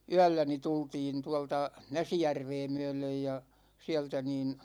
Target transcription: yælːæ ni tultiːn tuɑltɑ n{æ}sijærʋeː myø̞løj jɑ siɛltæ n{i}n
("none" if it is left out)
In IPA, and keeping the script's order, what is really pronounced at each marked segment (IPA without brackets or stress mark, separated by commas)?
æ, iː